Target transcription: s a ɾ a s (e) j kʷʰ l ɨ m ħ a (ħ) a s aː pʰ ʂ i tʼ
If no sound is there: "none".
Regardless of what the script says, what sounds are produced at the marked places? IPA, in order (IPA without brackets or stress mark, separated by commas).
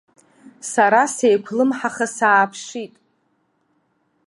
e, χ